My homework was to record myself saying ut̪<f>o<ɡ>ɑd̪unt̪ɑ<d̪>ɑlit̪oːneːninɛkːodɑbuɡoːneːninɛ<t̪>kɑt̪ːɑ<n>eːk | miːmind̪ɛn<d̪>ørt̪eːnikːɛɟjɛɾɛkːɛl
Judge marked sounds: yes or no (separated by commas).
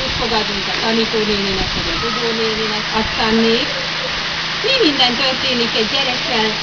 yes, yes, no, no, no, no